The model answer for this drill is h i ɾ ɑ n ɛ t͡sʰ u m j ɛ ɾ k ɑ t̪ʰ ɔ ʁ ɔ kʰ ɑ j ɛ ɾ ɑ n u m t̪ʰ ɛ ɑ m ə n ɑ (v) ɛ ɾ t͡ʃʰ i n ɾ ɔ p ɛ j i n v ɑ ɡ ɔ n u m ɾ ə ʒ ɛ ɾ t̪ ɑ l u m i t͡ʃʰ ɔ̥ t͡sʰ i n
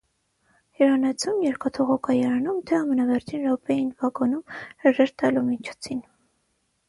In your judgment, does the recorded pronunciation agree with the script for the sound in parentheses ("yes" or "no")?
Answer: yes